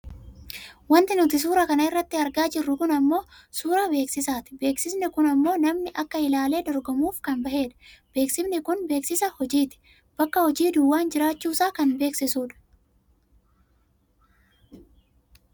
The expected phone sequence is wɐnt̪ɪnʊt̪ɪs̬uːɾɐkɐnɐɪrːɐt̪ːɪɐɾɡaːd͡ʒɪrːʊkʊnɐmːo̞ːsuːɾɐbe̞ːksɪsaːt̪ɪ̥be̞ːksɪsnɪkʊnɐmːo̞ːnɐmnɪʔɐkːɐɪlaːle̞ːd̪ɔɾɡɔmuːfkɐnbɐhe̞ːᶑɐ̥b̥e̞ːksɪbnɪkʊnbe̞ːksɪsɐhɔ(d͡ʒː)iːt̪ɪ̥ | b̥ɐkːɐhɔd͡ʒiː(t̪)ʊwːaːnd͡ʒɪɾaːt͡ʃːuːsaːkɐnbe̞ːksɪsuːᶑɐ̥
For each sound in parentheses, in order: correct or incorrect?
incorrect, incorrect

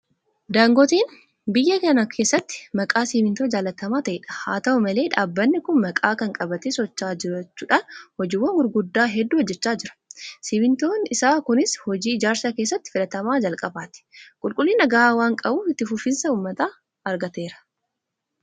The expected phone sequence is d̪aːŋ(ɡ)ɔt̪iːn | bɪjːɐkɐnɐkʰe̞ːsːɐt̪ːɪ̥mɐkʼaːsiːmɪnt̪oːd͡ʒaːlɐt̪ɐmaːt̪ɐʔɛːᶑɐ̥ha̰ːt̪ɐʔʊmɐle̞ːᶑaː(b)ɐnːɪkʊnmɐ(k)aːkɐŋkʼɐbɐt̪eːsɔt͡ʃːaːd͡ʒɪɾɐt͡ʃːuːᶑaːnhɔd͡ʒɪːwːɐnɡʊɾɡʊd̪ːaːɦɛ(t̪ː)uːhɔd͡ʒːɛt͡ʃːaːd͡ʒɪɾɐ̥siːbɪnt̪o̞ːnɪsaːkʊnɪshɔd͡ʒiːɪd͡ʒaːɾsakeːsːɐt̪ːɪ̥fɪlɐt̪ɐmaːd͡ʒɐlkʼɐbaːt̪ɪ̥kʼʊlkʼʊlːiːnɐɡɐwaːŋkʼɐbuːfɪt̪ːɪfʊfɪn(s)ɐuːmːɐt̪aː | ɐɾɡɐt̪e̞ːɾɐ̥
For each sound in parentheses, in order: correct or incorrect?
correct, incorrect, incorrect, incorrect, correct

